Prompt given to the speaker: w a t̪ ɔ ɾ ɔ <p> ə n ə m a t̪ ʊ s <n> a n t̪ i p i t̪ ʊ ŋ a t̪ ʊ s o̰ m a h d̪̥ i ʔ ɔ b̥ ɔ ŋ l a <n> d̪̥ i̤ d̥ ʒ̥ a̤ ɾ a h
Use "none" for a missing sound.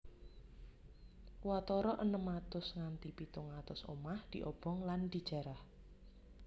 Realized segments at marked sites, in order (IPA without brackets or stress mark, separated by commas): ʔ, ŋ, n